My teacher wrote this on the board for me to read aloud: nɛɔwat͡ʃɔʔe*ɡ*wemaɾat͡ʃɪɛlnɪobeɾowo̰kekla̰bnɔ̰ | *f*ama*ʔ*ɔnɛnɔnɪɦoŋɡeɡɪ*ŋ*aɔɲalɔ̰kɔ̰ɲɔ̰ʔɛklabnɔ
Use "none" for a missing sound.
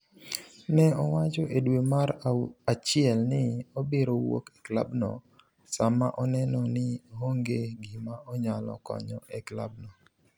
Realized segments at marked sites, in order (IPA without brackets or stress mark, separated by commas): d, s, ʔ, m